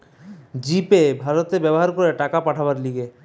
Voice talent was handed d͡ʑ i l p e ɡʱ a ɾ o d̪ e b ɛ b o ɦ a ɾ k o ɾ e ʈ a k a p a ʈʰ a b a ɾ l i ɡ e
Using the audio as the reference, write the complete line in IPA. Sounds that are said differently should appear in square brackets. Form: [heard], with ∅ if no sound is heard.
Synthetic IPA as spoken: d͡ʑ i [∅] p e [bʱ] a ɾ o [t̪] e b ɛ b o ɦ a ɾ k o ɾ e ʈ a k a p a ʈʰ a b a ɾ l i ɡ e